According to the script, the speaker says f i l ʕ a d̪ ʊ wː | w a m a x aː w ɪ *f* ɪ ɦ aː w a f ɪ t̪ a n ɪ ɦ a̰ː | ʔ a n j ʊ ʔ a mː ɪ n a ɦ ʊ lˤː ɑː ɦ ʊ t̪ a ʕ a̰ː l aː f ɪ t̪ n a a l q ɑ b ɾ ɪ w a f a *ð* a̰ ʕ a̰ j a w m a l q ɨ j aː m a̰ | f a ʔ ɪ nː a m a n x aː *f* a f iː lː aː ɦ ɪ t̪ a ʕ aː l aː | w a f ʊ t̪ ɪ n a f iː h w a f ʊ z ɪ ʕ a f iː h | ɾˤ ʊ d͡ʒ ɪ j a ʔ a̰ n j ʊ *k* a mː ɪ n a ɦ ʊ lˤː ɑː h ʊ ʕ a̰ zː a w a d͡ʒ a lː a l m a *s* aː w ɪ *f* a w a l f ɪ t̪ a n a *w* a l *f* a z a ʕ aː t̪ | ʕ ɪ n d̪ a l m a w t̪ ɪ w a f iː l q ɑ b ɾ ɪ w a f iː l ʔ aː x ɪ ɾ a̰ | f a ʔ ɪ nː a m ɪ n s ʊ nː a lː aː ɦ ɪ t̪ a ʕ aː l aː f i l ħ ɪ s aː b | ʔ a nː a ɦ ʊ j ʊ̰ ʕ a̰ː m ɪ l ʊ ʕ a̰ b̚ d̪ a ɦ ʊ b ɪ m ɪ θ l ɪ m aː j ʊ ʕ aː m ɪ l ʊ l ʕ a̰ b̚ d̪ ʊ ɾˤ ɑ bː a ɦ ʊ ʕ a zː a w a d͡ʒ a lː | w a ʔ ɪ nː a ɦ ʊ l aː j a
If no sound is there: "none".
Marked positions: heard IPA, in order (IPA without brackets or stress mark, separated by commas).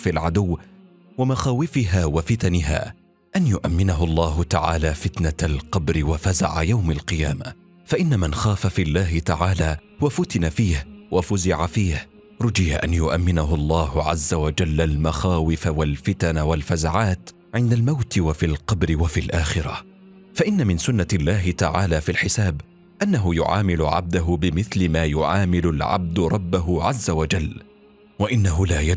f, z, f, ʔ, x, f, w, f